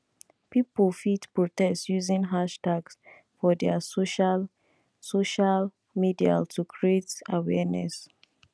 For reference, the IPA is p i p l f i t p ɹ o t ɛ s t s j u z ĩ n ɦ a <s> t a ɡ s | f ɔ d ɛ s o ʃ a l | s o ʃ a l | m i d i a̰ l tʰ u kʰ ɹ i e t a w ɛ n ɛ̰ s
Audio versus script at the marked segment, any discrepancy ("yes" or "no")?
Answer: yes